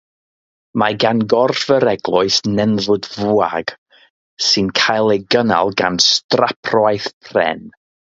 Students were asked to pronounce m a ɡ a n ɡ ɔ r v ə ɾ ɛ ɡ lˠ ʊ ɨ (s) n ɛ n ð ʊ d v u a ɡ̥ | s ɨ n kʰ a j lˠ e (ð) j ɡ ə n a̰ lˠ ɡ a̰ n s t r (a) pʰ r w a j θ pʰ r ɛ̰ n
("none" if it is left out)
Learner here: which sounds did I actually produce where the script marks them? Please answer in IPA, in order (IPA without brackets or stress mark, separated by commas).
s, none, a